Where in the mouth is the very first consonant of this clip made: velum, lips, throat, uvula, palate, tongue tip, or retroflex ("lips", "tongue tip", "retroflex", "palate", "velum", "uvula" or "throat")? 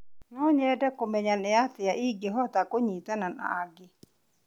tongue tip